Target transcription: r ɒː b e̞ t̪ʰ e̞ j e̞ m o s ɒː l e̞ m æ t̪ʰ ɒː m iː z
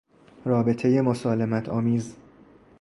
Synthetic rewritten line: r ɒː b e̞ t̪ʰ e̞ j e̞ m o s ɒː l e̞ m æ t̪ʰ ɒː m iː z